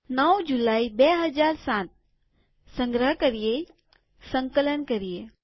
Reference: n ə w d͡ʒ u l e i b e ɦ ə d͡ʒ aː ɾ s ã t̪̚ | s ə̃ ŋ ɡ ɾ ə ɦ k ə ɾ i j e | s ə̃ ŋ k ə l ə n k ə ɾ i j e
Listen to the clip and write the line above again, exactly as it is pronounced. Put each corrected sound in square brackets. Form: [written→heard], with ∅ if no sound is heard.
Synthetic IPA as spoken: n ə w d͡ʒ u l [e→a] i b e ɦ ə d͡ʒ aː ɾ s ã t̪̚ | s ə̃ ŋ ɡ ɾ ə ɦ k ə ɾ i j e | s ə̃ ŋ k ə l ə n k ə ɾ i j e

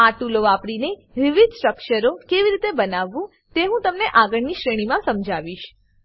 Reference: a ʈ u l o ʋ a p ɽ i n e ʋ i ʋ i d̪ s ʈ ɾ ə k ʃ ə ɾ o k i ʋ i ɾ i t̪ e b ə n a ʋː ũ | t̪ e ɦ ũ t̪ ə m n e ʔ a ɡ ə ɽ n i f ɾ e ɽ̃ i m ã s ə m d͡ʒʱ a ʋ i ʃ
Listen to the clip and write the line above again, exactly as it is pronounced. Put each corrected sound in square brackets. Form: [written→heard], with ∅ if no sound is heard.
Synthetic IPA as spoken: a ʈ u l o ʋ a p ɽ i n e ʋ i ʋ i d̪ s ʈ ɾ ə k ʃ ə ɾ o k [i→e] ʋ i ɾ i t̪ e b ə n a ʋː ũ | t̪ e ɦ ũ t̪ ə m n e ʔ a ɡ ə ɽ n i [f→ʃ] ɾ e ɽ̃ i m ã s ə m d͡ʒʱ a ʋ i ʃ

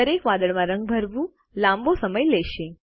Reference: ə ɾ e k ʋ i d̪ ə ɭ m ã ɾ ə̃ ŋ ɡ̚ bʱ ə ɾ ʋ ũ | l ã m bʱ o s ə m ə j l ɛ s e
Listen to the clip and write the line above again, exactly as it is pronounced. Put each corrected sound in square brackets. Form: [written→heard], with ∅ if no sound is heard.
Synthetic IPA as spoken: ə ɾ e k ʋ [i→a] d̪ ə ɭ m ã ɾ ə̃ ŋ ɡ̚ bʱ ə ɾ ʋ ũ | l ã m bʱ o s ə m ə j l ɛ [s→ʃ] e

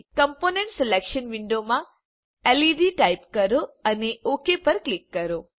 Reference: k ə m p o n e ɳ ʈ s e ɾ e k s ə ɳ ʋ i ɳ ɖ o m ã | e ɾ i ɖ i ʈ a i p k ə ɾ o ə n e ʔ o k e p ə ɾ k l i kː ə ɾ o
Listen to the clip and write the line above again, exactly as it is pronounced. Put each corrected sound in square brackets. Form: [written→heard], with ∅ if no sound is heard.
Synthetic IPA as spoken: k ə m p o n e ɳ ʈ s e [ɾ→l] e k [s→ʃ] ə [ɳ→n] ʋ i ɳ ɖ o m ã | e [ɾ→l] i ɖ i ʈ a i p k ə ɾ o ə n e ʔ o k e p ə ɾ k l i kː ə ɾ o

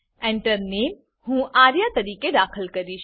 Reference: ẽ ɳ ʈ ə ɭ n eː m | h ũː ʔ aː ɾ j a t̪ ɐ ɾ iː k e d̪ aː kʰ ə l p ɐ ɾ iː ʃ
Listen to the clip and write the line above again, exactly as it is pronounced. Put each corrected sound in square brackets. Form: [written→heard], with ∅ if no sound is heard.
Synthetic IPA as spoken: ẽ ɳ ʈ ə [ɭ→ɾ] n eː m | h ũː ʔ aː ɾ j a t̪ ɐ ɾ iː k e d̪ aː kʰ ə l [p→k] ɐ ɾ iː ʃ

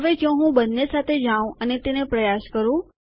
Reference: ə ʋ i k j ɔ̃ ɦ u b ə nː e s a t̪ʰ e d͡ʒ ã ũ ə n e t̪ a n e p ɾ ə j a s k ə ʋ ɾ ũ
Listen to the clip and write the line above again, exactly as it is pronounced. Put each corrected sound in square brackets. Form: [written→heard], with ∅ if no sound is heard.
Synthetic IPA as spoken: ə ʋ [i→e] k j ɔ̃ ɦ [u→ũ] b ə nː e s a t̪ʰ e d͡ʒ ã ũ ə n e t̪ [a→e] n e p ɾ ə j a s k ə [ʋ→∅] ɾ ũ

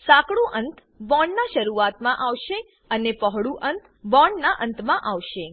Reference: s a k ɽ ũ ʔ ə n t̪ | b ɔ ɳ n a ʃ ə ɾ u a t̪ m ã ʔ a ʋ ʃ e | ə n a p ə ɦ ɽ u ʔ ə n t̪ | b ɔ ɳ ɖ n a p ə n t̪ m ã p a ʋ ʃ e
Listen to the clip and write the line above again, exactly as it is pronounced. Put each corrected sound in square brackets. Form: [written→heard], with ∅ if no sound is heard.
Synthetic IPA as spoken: s a k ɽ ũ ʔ ə n t̪ | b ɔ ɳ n a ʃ ə ɾ u a t̪ m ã ʔ a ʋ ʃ e | ə n [a→e] p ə ɦ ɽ u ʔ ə n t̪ | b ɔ ɳ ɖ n a [p→ʔ] ə n t̪ m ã [p→ʔ] a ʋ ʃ e

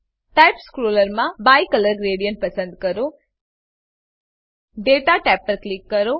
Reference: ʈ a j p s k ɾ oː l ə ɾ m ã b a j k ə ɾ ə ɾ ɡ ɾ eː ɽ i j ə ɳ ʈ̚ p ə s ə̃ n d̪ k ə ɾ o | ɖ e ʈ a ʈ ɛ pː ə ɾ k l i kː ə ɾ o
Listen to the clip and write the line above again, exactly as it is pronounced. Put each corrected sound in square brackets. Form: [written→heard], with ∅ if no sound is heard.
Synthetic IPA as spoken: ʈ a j p s k ɾ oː l ə ɾ m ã b a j k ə [ɾ→l] ə ɾ ɡ ɾ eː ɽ i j ə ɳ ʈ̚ p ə s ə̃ n d̪ k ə ɾ o | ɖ e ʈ a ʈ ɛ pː ə ɾ k l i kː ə ɾ o

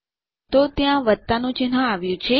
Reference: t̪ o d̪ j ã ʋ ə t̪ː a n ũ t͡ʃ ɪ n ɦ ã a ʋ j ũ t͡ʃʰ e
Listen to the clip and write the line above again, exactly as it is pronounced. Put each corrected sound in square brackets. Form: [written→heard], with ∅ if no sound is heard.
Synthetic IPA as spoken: t̪ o [d̪→t̪] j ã ʋ ə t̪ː a n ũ t͡ʃ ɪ n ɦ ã a ʋ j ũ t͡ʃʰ e

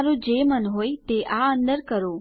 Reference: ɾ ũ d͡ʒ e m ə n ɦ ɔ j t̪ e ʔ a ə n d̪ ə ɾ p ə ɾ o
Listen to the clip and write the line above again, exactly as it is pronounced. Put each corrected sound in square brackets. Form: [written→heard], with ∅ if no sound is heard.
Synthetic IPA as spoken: ɾ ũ d͡ʒ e m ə n ɦ [ɔ→o] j t̪ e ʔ a ə n d̪ ə ɾ [p→k] ə ɾ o

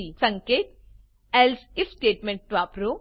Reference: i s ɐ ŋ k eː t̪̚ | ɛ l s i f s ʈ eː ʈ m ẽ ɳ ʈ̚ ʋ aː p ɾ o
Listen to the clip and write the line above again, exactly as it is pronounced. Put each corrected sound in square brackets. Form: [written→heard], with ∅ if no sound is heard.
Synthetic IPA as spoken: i s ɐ ŋ k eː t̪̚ | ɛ l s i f s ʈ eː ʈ m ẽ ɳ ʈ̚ ʋ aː p ɾ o

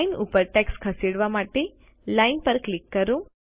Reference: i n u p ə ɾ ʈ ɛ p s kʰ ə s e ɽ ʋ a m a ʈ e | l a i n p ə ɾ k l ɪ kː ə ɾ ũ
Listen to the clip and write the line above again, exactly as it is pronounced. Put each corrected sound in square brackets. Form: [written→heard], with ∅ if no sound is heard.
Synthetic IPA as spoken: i n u p ə ɾ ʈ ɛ [p→k] s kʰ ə s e ɽ ʋ a m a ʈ e | l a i n p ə ɾ k l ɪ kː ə ɾ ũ

